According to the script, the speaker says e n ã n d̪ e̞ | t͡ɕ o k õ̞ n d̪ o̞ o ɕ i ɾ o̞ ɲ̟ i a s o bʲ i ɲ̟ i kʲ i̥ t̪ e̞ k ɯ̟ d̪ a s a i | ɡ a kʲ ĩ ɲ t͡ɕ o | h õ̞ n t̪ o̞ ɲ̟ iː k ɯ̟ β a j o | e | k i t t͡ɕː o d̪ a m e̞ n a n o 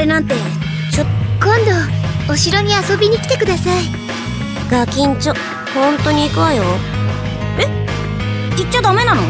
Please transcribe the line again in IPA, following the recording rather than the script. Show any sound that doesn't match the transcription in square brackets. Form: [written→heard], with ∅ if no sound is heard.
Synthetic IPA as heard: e n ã n [d̪→t̪] e̞ | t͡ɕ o k õ̞ n d̪ o̞ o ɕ i ɾ o̞ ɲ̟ i a s o bʲ i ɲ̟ i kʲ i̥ t̪ e̞ k ɯ̟ d̪ a s a i | ɡ a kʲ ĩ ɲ t͡ɕ o | h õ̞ n t̪ o̞ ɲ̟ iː k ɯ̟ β a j o | e | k i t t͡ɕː o d̪ a m e̞ n a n o